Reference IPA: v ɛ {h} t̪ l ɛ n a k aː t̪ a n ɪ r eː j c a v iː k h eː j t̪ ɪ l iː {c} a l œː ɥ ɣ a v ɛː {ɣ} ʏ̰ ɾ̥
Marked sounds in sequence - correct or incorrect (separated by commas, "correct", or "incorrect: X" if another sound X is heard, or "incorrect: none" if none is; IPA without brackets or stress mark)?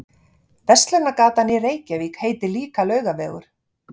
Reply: incorrect: s, incorrect: k, correct